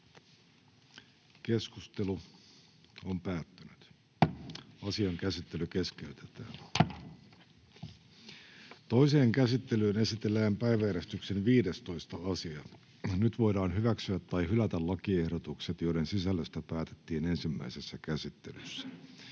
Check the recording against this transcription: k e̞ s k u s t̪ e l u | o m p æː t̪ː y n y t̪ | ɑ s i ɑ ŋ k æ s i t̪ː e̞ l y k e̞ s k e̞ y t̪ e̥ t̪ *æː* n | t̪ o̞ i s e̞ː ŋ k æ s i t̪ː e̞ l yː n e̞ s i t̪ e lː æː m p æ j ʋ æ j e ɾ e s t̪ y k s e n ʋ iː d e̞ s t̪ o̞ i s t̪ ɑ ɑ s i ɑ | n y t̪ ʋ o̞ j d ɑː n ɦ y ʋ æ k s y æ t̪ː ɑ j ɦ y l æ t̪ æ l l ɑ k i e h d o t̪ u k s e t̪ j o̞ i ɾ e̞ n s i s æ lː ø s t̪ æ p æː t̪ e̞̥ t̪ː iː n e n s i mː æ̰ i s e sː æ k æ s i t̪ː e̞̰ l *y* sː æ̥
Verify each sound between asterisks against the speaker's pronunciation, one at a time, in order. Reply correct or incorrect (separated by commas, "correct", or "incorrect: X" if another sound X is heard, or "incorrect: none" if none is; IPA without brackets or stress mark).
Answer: correct, correct